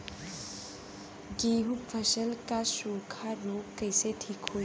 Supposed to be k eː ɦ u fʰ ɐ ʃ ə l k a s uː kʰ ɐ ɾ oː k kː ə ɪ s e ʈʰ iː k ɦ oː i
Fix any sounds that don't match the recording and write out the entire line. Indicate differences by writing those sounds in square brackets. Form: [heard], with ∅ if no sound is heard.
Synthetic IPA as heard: [ɡ] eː ɦ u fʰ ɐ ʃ ə l k a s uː kʰ [a] ɾ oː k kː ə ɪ s e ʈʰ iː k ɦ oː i